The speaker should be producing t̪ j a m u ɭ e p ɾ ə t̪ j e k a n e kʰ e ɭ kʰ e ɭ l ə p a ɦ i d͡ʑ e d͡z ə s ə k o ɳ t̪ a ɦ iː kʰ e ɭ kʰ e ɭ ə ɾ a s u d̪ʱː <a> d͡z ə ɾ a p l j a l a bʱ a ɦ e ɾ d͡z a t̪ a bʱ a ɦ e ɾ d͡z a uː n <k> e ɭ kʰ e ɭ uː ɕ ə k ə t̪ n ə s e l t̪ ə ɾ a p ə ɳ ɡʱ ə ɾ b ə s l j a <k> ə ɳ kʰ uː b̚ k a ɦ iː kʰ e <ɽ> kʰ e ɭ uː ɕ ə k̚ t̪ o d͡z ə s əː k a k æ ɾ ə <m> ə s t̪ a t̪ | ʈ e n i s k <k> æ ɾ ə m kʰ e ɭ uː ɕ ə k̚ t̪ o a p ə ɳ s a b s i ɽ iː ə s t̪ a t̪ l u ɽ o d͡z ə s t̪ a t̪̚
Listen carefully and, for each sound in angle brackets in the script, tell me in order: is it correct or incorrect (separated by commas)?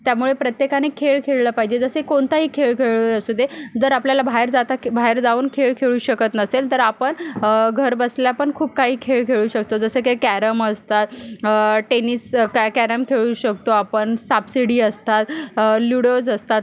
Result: incorrect, incorrect, incorrect, incorrect, correct, correct